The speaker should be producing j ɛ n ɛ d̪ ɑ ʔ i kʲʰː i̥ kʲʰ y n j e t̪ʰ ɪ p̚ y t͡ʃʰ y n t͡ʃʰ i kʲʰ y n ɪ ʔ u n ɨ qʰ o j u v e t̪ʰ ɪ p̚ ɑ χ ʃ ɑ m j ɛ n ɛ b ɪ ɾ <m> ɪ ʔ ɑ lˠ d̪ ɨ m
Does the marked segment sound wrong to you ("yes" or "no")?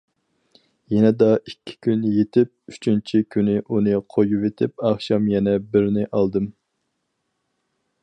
yes